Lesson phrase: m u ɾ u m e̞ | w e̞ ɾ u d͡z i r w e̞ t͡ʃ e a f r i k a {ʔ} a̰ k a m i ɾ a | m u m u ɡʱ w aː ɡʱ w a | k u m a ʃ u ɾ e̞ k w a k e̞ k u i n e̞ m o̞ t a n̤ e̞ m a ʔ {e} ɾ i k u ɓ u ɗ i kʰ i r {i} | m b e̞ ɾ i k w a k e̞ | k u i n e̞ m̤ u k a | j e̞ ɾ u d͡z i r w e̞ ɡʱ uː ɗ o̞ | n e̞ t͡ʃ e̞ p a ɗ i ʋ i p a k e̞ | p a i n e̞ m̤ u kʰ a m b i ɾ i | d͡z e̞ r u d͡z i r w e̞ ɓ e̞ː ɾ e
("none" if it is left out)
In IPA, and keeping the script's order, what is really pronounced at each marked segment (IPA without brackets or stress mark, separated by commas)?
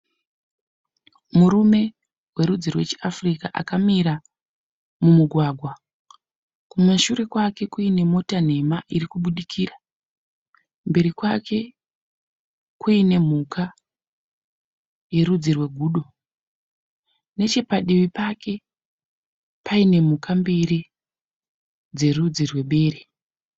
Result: ʔ, i, a